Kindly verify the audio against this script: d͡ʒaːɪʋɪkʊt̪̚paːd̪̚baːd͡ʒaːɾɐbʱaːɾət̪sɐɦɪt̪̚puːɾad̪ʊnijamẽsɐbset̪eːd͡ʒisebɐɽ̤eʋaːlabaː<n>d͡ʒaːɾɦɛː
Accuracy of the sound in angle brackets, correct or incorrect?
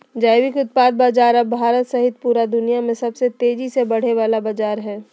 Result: incorrect: none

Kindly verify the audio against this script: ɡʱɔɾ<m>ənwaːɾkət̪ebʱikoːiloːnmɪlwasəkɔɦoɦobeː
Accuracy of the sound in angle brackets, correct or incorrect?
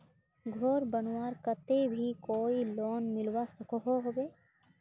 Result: incorrect: b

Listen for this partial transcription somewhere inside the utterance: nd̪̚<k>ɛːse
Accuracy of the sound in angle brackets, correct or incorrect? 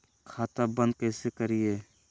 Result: correct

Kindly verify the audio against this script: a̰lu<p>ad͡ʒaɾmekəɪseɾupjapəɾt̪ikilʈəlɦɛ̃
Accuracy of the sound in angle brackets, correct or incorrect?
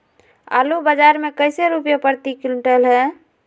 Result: incorrect: b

